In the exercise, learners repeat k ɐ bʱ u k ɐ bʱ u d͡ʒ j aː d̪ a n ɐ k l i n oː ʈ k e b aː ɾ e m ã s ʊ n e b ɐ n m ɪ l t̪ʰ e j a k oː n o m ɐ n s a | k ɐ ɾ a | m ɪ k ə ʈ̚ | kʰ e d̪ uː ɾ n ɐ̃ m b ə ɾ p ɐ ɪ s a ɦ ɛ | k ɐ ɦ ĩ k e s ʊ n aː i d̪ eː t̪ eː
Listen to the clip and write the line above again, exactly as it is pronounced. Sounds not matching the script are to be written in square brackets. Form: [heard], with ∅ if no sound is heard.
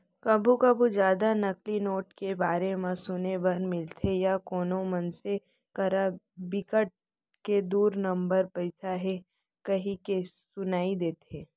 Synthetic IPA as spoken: k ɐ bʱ u k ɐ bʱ u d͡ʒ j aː d̪ a n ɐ k l i n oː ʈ k e b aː ɾ e m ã s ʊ n e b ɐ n m ɪ l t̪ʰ e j a k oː n o m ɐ n s [e] | k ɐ ɾ a | [b] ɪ k ə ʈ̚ | [k] e d̪ uː ɾ n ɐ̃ m b ə ɾ p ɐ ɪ s a ɦ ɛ | k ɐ ɦ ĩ k e s ʊ n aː i d̪ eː t̪ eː